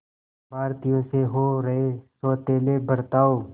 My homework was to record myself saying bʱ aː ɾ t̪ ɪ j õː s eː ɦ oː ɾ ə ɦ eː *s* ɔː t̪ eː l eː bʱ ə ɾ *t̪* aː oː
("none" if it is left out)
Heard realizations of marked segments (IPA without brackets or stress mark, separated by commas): s, t̪